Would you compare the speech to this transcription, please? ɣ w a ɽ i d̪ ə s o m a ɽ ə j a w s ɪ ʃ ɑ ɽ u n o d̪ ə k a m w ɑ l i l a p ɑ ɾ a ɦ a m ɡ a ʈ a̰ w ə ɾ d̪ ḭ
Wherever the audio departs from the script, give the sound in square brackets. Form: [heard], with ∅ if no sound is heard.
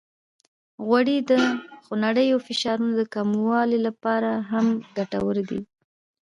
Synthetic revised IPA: ɣ w a ɽ i d̪ ə [x] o [n] a ɽ ə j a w [f] ɪ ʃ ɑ [ɾ] u n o d̪ ə k a m w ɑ l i l a p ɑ ɾ a ɦ a m ɡ a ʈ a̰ w ə ɾ d̪ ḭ